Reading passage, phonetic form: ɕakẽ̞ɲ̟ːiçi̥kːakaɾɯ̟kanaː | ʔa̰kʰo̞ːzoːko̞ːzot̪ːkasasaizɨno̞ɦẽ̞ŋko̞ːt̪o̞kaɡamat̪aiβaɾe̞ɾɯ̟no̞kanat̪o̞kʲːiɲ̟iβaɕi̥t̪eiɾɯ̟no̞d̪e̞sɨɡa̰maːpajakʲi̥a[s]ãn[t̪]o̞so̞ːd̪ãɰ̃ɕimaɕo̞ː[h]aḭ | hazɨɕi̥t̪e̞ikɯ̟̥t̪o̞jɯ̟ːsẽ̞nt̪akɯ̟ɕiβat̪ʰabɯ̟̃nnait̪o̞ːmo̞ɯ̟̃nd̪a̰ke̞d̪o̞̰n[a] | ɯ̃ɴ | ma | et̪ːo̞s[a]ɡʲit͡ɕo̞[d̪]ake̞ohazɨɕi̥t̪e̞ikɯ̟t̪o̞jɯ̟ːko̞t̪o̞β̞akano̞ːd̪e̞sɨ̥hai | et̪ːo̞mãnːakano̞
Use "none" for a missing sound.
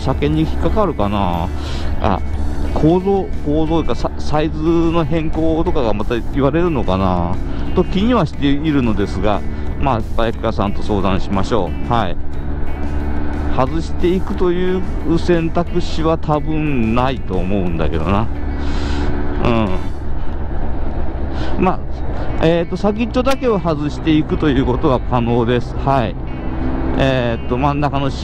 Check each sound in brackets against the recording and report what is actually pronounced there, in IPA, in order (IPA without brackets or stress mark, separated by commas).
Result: s, t̪, h, a, a, d̪